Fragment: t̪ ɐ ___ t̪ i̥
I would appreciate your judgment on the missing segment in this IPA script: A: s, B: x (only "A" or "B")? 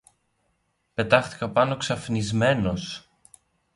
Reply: B